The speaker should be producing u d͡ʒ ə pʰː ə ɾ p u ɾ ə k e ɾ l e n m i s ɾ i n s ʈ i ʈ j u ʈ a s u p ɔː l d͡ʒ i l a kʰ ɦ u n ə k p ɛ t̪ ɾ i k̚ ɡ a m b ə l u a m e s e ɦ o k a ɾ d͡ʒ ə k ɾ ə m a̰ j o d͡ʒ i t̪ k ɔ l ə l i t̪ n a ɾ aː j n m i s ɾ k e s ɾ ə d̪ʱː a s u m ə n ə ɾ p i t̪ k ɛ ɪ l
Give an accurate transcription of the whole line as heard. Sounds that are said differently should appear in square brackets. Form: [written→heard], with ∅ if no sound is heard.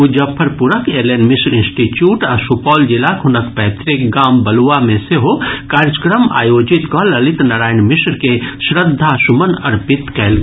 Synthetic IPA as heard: u d͡ʒ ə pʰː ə ɾ p u ɾ ə k e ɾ l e n m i s ɾ i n s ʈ i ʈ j u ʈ a s u p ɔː l d͡ʒ i l a [kʰ→k] ɦ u n ə k p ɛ t̪ ɾ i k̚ ɡ a m b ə l u a m e s e ɦ o k a ɾ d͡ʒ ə k ɾ ə m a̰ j o d͡ʒ i t̪ k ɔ l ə l i t̪ n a ɾ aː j n m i s ɾ k e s ɾ ə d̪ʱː a s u m ə n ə ɾ p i t̪ k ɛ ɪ l